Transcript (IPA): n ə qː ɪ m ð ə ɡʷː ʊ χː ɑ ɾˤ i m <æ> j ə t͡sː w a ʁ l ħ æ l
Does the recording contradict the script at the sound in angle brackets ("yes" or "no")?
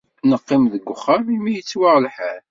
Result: yes